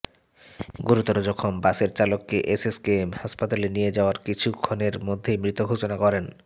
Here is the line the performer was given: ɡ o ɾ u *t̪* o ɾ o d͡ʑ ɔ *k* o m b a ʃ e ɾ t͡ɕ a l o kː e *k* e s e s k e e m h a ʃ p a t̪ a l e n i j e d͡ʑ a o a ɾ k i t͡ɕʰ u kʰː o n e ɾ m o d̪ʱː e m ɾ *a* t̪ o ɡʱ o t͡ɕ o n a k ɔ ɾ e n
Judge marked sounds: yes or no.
yes, no, no, no

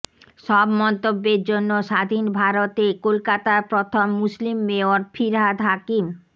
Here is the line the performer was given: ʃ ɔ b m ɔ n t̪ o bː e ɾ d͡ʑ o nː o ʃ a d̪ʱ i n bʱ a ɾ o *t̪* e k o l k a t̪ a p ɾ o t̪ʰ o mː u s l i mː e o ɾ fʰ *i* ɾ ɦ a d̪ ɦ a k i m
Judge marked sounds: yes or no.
yes, yes

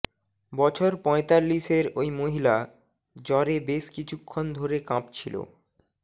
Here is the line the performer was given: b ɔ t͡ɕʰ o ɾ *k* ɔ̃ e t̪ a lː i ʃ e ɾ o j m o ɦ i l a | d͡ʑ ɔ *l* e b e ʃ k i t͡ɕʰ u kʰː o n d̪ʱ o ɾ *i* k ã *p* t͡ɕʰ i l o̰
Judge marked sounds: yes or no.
no, no, no, yes

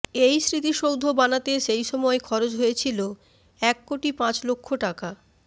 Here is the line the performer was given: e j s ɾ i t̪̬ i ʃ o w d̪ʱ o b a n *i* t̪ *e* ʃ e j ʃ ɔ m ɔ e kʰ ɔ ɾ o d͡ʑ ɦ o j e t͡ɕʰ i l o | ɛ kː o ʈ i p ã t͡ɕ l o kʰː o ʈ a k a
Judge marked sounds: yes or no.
no, yes

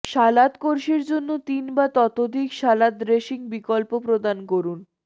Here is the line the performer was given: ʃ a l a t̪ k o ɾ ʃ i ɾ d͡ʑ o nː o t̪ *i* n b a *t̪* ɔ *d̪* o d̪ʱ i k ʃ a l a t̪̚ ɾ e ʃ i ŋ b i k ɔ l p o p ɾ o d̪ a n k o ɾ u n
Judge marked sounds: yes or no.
yes, yes, no

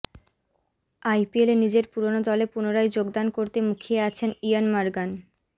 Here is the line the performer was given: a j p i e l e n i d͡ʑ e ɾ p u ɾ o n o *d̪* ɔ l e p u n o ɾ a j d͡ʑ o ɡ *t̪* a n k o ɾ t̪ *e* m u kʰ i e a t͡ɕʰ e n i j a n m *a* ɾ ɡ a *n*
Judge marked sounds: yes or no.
yes, no, yes, yes, yes

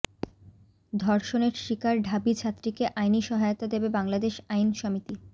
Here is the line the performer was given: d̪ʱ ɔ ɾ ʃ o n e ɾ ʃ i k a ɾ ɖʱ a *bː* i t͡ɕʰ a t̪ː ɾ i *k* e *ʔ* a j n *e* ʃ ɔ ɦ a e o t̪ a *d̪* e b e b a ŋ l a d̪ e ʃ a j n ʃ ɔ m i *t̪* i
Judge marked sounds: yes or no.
no, yes, yes, no, yes, yes

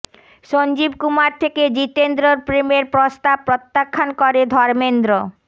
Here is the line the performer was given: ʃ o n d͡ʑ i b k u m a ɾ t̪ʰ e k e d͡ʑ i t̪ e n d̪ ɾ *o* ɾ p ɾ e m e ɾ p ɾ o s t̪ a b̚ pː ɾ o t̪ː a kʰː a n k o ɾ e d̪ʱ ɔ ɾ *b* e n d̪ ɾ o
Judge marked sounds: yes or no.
yes, no

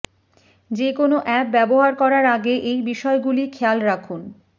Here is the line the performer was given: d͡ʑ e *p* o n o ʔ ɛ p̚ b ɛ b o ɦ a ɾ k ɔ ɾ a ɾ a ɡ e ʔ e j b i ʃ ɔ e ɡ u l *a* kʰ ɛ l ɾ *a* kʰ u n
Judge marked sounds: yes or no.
no, no, yes

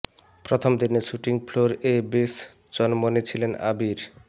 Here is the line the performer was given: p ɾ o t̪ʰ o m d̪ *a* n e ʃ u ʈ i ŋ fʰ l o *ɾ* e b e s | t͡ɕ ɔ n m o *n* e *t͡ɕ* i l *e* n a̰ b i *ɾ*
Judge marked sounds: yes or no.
no, yes, yes, no, yes, yes

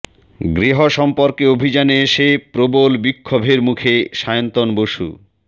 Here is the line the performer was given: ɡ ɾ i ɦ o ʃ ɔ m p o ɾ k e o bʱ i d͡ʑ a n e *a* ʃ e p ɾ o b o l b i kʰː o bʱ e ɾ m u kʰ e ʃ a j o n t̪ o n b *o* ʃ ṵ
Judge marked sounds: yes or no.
no, yes

